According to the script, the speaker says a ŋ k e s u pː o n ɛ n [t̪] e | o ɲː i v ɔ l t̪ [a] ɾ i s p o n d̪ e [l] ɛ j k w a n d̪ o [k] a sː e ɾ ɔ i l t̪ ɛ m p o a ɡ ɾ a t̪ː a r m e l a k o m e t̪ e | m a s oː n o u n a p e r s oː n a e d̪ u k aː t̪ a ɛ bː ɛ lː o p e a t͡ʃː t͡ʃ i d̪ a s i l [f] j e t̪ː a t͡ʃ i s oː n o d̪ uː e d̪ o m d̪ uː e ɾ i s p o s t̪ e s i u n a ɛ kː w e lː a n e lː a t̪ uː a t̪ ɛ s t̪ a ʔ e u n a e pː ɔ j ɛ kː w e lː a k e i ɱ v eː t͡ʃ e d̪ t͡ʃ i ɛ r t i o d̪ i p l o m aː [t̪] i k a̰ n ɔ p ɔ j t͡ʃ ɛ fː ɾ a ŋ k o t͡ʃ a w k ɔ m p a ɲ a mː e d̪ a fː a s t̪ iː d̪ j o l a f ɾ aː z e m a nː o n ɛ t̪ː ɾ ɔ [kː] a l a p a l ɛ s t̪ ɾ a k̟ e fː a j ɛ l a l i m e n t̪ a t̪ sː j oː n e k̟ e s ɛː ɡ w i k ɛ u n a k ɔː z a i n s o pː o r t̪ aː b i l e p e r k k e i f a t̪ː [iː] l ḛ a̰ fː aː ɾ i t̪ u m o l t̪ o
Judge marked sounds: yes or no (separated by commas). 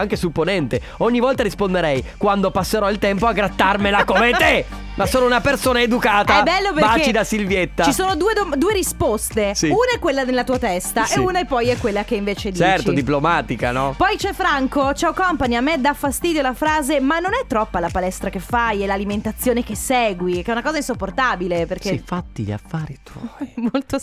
yes, yes, no, no, no, yes, no, no